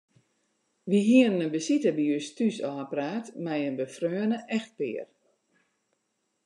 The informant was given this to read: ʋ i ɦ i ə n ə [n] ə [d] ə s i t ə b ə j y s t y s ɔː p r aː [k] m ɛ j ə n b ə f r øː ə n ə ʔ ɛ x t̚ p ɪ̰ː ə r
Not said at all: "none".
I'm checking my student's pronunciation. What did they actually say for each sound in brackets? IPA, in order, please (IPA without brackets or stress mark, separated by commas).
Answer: n, b, t